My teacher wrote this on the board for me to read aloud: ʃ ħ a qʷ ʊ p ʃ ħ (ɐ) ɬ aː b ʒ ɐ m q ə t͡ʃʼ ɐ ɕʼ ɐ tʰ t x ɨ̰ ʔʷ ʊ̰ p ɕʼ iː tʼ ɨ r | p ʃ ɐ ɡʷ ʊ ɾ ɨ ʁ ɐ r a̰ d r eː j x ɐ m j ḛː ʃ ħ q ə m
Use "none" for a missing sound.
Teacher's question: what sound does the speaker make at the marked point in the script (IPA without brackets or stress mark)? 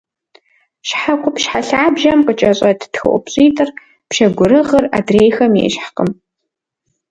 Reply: a